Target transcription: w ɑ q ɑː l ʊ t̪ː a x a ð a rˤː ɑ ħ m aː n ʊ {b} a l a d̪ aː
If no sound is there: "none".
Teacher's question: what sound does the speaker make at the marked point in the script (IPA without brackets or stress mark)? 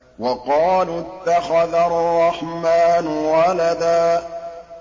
w